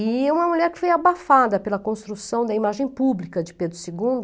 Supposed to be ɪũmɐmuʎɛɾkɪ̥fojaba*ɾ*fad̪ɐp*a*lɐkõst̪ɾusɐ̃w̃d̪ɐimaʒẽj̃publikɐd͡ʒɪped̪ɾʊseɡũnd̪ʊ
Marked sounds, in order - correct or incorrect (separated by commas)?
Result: incorrect, incorrect